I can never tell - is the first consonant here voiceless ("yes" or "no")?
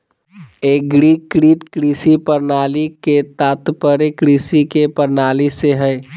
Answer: no